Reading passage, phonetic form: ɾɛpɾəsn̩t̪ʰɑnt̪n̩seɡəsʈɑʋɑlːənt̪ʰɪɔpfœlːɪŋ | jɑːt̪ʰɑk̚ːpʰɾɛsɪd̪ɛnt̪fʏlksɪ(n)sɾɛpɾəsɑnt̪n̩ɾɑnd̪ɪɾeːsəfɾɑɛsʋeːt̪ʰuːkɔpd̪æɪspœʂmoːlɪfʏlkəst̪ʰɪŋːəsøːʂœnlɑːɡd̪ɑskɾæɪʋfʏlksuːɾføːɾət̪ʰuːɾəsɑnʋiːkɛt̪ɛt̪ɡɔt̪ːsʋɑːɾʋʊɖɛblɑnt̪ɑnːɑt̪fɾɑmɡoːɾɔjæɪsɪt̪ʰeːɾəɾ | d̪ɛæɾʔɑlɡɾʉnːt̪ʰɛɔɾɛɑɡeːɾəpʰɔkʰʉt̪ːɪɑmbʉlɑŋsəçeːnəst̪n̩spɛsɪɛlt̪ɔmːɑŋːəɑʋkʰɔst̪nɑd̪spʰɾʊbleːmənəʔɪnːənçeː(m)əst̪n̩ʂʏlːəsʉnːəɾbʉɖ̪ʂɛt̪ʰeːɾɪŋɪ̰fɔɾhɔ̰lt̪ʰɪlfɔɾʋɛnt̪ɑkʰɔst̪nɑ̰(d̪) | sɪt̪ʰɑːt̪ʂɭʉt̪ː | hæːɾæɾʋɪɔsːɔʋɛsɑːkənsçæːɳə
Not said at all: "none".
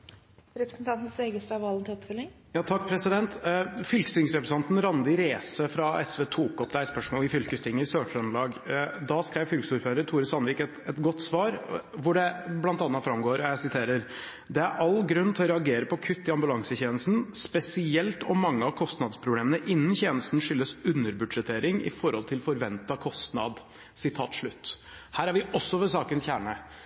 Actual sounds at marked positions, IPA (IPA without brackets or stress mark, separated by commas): ŋ, n, d̪